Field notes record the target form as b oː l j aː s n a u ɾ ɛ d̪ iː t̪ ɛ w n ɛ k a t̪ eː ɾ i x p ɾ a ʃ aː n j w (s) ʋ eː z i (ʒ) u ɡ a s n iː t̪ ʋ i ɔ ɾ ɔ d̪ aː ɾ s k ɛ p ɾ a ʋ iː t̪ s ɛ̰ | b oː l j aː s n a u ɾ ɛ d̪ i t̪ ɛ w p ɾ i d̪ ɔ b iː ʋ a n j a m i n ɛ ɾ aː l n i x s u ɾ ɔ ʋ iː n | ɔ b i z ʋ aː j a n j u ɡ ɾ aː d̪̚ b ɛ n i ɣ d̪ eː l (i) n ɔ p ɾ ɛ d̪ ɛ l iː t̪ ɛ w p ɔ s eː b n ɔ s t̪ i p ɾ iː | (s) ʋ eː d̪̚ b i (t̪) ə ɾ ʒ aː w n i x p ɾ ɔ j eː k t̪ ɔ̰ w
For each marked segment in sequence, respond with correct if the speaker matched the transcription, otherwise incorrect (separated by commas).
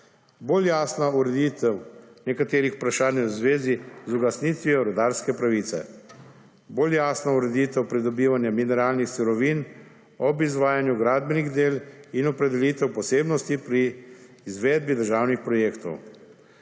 incorrect, incorrect, correct, incorrect, incorrect